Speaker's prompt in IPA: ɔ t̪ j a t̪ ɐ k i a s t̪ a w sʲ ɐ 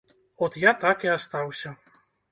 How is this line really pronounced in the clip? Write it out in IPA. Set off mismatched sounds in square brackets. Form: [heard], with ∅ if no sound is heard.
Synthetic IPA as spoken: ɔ t̪ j a t̪ [a] k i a s t̪ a w sʲ ɐ